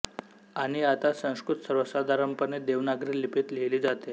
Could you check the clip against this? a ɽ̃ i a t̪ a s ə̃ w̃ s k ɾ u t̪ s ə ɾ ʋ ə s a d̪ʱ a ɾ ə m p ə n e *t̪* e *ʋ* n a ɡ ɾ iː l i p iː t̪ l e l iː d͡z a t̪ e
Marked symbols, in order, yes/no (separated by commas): no, yes